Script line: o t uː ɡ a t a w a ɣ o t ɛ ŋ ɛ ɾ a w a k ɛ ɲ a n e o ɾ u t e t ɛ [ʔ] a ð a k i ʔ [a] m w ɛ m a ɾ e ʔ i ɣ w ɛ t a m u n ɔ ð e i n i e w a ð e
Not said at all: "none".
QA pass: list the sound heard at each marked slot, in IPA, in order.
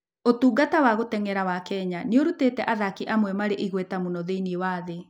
ʔ, a

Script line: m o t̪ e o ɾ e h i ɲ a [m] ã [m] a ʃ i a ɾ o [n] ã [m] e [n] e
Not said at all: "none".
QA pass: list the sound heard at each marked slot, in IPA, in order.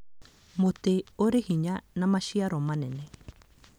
n, m, m, n, n

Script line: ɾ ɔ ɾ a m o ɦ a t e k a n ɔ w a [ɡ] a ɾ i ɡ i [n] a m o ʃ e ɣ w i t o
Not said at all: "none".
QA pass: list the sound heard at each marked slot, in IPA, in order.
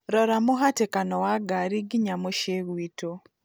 ɡ, ɲ

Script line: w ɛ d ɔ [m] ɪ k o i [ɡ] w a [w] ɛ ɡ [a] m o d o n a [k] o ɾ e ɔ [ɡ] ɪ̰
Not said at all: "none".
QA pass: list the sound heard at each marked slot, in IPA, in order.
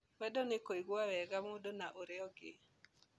n, ɡ, w, a, ʔ, ɡ

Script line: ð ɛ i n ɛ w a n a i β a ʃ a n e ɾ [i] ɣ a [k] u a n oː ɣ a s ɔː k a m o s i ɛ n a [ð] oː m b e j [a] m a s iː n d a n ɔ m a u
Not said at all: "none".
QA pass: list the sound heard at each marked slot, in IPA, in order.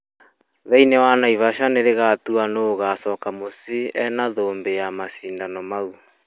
e, t, ð, a

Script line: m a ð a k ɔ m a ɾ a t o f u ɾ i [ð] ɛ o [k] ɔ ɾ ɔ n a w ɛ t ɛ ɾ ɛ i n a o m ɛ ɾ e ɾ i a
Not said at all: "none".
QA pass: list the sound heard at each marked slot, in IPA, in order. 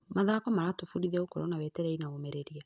ð, k

